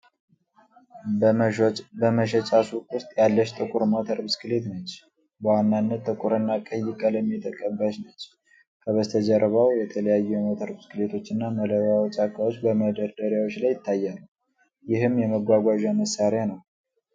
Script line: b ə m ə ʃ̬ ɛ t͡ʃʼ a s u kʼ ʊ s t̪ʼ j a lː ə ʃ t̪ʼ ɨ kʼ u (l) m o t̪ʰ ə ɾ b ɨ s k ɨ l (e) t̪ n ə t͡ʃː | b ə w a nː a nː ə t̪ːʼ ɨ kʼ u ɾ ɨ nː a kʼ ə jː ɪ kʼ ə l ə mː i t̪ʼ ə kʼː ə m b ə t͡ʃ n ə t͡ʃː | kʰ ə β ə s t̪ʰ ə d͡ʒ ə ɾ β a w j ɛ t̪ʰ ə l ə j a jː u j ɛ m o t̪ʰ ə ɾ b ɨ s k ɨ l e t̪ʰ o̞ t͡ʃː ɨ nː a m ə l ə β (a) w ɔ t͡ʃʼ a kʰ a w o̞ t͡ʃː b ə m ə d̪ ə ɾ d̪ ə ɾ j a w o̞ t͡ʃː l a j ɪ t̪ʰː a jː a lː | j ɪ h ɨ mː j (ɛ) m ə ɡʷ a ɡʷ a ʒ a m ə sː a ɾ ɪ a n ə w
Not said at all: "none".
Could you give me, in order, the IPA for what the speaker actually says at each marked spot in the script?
ɾ, e, a, ɛ

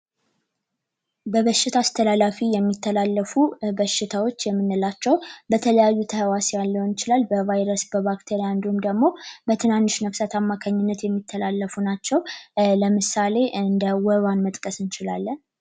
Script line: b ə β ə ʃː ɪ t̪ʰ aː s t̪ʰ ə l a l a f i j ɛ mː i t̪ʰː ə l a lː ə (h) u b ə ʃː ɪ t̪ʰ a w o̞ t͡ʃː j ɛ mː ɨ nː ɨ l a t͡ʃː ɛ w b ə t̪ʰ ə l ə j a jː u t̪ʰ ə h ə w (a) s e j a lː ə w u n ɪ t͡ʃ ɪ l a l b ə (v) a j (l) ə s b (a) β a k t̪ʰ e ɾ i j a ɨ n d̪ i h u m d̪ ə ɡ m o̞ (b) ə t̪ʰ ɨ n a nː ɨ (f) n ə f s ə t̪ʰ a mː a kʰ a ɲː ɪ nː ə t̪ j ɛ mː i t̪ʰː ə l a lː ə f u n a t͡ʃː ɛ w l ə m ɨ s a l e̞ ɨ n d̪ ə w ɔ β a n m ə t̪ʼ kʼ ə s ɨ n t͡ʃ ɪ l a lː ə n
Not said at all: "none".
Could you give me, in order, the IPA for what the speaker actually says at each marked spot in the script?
f, a, v, ɾ, ə, b, ʃ

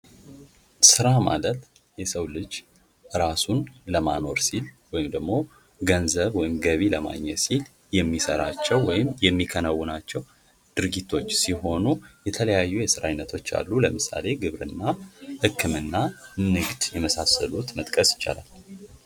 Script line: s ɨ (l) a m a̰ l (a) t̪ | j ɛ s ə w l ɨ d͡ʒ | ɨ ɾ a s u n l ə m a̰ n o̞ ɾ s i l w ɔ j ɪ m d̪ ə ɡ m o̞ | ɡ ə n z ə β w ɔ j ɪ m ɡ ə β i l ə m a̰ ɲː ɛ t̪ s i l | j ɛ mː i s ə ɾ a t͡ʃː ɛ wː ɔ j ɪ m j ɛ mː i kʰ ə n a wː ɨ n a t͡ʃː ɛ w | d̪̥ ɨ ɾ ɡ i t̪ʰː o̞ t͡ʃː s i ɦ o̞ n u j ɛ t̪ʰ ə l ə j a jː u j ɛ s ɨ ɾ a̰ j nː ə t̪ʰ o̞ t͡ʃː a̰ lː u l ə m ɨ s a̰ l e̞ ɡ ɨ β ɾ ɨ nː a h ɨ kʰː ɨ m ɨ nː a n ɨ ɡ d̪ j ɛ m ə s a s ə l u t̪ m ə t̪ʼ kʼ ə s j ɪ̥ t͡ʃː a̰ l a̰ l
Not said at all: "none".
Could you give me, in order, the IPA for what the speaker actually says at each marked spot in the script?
ɾ, ə

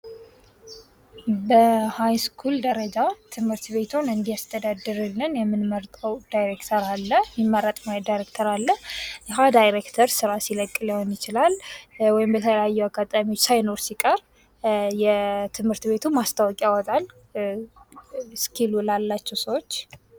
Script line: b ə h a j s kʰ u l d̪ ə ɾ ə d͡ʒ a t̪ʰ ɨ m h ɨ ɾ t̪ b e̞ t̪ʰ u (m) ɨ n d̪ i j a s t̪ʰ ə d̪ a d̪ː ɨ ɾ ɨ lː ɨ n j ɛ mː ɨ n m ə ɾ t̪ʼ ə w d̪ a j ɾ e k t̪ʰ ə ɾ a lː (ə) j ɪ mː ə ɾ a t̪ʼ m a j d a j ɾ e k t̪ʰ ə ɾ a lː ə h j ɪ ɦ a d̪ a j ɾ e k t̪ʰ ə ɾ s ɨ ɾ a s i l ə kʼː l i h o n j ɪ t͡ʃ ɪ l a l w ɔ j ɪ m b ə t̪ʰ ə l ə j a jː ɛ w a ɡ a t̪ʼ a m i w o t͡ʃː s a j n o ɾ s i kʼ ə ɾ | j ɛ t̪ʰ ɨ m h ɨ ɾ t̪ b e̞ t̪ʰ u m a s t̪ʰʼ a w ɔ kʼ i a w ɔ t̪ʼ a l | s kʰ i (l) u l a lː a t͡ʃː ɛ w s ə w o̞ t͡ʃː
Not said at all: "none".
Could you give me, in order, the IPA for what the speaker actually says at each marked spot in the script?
n, ə, l

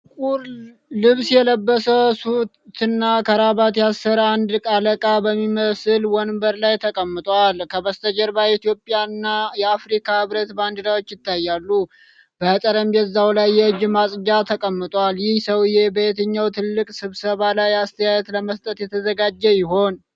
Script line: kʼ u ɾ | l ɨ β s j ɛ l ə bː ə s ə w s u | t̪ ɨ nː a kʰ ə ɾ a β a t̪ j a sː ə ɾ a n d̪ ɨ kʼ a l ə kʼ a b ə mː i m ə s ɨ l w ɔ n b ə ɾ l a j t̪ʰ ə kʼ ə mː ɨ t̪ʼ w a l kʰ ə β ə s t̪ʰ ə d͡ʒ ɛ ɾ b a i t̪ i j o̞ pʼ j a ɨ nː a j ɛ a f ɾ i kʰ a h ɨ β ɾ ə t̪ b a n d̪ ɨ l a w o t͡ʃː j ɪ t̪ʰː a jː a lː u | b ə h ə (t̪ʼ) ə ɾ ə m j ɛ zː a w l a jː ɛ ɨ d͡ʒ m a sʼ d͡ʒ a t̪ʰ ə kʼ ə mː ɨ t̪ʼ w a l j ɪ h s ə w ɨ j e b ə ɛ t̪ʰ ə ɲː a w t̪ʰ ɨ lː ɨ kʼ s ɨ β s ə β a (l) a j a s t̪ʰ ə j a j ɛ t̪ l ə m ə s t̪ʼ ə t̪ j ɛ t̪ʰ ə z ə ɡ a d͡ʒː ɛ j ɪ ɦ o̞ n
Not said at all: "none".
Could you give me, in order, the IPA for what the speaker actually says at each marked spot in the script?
t̪ʼ, l

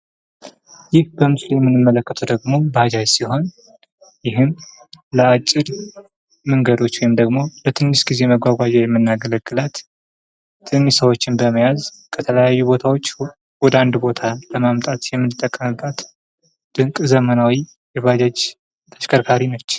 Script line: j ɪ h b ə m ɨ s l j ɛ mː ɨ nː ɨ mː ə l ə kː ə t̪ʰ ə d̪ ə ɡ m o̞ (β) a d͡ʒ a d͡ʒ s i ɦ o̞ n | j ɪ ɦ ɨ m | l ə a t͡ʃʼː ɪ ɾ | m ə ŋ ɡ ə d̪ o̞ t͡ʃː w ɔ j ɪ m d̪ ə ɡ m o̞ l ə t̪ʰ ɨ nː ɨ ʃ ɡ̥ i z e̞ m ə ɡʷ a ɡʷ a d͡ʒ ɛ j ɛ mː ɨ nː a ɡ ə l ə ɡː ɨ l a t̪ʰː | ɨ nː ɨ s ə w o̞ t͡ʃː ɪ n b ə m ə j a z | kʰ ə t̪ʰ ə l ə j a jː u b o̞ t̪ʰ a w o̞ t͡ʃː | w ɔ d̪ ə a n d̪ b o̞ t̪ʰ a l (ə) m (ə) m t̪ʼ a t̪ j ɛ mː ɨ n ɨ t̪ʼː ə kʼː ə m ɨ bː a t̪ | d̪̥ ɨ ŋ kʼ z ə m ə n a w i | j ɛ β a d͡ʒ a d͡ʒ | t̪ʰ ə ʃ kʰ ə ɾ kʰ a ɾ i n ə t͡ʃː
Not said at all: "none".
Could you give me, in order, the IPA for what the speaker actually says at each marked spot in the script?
b, ə, a

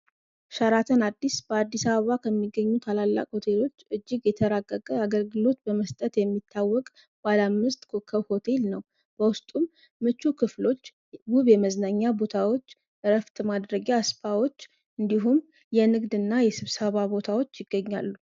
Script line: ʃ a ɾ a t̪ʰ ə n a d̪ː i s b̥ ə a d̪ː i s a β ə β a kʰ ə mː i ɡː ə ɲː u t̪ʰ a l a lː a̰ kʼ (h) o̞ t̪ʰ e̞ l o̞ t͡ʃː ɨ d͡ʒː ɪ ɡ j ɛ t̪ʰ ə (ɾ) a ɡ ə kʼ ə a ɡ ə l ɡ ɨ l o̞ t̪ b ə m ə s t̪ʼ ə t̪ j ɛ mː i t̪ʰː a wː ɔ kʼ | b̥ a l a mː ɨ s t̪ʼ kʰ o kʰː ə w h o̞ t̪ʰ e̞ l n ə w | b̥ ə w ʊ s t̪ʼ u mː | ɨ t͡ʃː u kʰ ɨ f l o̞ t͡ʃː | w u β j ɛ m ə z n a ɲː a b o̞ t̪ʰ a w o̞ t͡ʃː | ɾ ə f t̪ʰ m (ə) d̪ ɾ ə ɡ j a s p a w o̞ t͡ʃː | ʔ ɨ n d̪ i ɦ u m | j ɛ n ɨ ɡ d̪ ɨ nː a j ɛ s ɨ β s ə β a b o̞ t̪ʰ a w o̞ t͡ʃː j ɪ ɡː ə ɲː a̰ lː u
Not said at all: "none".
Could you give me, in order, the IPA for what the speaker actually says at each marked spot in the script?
h, ɾ, a

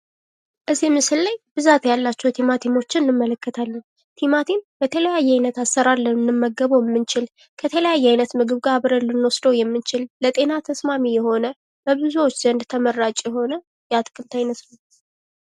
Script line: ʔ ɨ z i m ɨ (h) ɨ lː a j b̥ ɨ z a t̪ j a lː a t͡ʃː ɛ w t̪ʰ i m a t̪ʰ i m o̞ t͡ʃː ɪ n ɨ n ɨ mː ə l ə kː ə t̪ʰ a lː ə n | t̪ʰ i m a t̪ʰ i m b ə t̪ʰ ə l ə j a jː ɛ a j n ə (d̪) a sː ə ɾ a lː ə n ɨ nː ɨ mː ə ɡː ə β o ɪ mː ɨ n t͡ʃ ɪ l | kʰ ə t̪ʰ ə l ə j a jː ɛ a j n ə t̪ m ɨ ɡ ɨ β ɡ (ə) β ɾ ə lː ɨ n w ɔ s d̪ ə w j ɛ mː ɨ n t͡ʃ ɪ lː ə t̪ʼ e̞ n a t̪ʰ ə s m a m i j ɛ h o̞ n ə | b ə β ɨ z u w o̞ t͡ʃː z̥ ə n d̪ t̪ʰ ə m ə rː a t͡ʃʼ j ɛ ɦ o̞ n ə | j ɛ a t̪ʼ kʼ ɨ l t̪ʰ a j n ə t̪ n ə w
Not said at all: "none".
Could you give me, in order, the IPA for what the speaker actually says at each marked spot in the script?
s, t̪, a

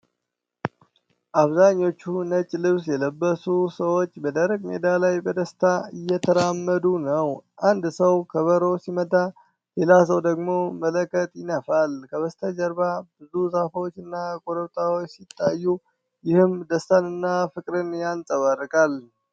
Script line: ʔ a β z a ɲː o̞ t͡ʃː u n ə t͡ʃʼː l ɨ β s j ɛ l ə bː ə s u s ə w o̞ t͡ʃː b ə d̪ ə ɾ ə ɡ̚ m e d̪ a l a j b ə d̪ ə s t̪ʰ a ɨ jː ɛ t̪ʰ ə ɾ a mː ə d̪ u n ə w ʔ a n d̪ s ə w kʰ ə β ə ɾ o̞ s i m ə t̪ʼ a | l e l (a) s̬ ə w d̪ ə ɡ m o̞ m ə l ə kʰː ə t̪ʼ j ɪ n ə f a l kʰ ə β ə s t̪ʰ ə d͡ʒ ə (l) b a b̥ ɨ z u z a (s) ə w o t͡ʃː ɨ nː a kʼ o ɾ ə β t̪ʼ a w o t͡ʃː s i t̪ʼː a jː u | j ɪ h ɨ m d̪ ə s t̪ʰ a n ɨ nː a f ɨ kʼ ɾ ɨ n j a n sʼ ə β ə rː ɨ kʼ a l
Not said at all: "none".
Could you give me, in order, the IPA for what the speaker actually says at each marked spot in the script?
a, ɾ, f

